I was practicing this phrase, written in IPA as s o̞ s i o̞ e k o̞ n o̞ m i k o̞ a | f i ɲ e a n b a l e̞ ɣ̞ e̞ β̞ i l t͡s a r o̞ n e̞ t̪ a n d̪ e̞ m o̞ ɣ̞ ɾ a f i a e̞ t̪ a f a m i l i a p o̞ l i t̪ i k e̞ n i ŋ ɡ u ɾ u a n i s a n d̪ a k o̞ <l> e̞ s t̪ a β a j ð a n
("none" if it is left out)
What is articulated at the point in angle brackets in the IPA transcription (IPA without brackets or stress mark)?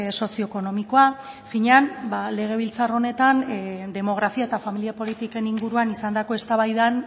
none